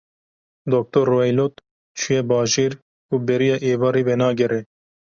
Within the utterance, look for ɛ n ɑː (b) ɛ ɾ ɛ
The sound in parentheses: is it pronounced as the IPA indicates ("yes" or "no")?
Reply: no